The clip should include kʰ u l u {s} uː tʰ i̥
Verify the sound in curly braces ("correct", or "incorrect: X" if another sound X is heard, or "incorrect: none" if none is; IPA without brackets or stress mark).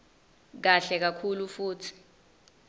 incorrect: f